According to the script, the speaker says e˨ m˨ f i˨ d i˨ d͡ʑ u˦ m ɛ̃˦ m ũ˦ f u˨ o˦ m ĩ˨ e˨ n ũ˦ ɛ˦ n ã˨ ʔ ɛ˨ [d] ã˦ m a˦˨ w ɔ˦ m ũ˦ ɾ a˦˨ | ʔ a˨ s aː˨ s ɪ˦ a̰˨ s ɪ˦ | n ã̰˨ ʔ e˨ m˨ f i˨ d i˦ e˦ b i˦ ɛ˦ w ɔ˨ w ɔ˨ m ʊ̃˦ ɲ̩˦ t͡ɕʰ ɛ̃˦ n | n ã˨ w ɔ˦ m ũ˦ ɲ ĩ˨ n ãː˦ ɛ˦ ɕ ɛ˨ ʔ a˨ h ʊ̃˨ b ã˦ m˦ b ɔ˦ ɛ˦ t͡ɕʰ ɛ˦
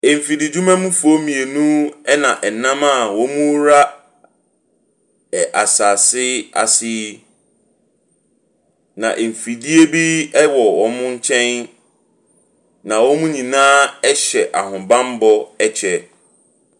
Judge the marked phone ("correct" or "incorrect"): incorrect